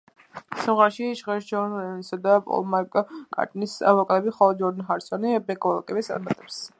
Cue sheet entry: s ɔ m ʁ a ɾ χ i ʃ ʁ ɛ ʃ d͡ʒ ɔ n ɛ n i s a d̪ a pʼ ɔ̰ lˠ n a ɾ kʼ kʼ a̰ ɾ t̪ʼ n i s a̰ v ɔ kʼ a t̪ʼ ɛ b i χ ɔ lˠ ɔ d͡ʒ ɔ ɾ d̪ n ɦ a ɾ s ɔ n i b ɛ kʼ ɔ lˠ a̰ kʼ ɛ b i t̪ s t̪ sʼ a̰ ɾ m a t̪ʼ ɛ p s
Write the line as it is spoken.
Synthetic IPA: s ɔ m ʁ a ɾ ʃ i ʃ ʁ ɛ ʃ d͡ʒ ɔ n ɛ n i s a d̪ a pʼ ɔ̰ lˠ m a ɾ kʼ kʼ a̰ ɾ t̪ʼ n i s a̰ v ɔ kʼ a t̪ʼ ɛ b i χ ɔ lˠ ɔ d͡ʒ ɔ ɾ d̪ n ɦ a ɾ s ɔ n i b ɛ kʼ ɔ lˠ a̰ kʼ ɛ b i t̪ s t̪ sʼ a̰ ɾ m a t̪ʼ ɛ p s